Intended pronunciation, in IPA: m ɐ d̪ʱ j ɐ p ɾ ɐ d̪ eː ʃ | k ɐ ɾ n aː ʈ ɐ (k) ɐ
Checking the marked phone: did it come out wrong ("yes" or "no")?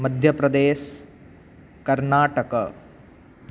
no